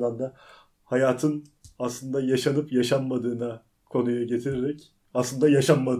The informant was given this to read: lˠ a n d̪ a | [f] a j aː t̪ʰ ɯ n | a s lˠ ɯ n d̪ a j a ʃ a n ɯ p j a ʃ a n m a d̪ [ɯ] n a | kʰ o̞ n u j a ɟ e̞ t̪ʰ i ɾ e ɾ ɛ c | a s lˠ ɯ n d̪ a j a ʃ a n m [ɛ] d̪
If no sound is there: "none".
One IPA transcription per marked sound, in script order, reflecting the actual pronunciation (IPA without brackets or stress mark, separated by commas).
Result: h, ɯː, a